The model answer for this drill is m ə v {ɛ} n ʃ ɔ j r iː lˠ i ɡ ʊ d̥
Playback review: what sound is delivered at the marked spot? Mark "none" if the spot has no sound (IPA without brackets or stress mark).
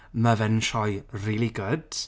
ɛ